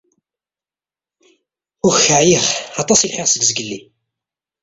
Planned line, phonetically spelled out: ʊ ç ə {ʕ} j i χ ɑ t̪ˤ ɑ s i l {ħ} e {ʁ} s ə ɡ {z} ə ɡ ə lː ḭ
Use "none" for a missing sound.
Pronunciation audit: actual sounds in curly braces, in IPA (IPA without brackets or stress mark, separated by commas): ʕ, ħ, ʁ, z